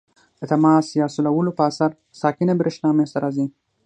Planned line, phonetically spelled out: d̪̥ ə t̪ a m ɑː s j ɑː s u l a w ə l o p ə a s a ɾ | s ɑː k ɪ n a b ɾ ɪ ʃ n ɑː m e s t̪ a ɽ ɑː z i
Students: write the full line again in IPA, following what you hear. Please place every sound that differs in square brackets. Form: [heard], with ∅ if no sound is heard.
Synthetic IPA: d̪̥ ə t̪ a m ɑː s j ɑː s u l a w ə l o p ə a s a ɾ | s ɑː k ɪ n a b ɾ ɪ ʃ n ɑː m e s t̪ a [ɾ] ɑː z i